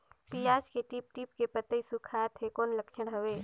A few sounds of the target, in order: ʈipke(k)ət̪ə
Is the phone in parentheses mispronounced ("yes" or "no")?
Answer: yes